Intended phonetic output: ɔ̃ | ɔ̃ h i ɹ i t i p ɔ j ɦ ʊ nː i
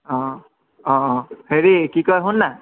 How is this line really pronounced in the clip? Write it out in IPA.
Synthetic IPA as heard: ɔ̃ | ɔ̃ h e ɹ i k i k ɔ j ɦ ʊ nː a